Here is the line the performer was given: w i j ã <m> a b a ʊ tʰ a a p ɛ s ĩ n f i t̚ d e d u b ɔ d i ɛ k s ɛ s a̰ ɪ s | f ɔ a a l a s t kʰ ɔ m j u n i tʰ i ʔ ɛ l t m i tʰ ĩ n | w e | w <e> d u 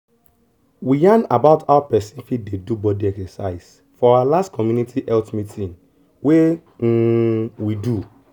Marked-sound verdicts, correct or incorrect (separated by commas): incorrect, incorrect